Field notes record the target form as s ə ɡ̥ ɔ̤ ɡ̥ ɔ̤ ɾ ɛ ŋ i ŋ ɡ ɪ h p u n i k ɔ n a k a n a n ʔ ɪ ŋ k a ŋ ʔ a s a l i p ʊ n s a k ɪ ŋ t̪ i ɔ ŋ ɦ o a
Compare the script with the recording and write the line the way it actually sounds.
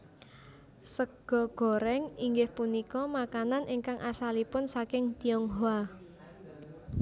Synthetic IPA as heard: s ə ɡ̥ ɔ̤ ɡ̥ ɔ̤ ɾ ɛ ŋ i ŋ ɡ ɪ h p u n i k ɔ m a k a n a n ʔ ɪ ŋ k a ŋ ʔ a s a l i p ʊ n s a k ɪ ŋ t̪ i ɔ ŋ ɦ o a

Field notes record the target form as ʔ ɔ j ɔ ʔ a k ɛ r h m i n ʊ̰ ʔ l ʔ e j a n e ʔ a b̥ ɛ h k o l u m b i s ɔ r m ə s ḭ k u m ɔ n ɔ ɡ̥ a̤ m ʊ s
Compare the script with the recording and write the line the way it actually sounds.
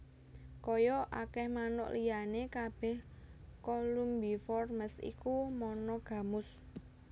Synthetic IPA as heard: k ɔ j ɔ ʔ a k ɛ h m a n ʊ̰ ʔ l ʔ i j a n e k a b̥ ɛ h k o l u m b i f ɔ r m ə s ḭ k u m ɔ n ɔ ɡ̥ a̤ m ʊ s

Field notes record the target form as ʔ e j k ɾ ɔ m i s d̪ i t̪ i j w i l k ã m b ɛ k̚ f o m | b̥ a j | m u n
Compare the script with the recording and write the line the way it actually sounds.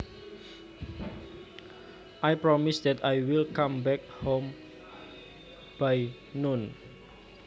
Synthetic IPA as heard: ʔ a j p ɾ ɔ m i s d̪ ɛ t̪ a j w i l k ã m b ɛ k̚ h o m | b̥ a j | n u n

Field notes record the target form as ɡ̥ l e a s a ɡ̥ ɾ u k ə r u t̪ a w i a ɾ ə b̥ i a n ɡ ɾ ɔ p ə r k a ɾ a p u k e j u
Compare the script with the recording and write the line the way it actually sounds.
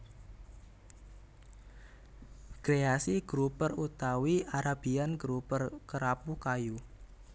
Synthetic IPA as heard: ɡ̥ ɾ e a s i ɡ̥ ɾ u p ə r u t̪ a w i a ɾ a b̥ i a n ɡ ɾ u p ə r k ə ɾ a p u k a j u

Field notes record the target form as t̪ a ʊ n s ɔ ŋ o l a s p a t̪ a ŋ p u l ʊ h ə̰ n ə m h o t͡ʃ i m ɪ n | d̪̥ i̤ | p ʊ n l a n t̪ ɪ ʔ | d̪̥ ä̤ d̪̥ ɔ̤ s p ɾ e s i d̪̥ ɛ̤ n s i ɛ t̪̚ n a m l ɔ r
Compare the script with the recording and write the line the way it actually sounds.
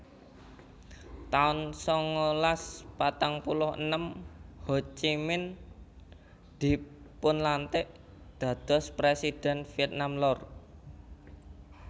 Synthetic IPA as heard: t̪ a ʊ n s ɔ ŋ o l a s p a t̪ a ŋ p u l ʊ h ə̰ n ə m h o t͡ʃ i m ɪ n | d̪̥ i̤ | p ʊ n l a n t̪ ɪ ʔ | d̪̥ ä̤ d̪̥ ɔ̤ s p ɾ e s i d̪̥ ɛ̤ n f i ɛ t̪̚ n a m l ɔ r

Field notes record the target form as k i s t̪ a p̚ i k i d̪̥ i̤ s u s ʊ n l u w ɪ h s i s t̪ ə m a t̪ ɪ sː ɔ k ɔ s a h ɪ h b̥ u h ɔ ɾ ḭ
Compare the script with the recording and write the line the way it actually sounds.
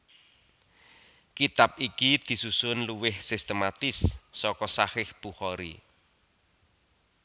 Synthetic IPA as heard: k i t̪ a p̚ i k i d̪̥ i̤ s u s ʊ n l u w ɪ h s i s t̪ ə m a t̪ ɪ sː ɔ k ɔ s a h ɪ h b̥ u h ɔ ɾ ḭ

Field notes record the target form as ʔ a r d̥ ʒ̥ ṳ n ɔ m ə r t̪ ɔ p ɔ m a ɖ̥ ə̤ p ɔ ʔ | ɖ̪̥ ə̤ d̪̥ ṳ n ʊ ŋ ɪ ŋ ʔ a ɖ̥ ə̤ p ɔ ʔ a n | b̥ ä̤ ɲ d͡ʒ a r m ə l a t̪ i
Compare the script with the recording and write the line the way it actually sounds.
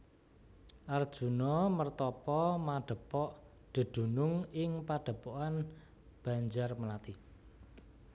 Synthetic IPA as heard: ʔ a r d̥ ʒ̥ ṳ n ɔ m ə r t̪ ɔ p ɔ m a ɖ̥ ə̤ p ɔ ʔ | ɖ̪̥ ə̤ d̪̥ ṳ n ʊ ŋ ɪ ŋ p a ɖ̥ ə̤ p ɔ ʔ a n | b̥ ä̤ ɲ d͡ʒ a r m ə l a t̪ i

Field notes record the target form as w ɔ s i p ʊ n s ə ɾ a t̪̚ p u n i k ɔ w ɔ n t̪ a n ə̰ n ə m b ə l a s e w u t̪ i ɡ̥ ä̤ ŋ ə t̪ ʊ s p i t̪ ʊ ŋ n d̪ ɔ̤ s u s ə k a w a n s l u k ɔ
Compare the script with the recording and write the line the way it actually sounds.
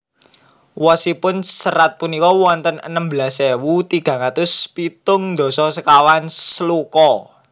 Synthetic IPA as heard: w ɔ s i p ʊ n s ə ɾ a t̪̚ p u n i k ɔ w ɔ n t̪ ə n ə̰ n ə m b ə l a s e w u t̪ i ɡ̥ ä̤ ŋ a t̪ ʊ s p i t̪ ʊ ŋ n d̪ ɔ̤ s ɔ s ə k a w a n s l u k ɔ

